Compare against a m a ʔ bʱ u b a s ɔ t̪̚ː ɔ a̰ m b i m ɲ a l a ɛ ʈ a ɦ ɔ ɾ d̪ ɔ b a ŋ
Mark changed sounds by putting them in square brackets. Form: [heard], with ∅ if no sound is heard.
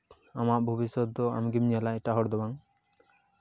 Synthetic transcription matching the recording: a m a ʔ bʱ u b [i] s ɔ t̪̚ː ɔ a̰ m [ɡ] i m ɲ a l a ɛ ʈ a ɦ ɔ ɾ d̪ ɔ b a ŋ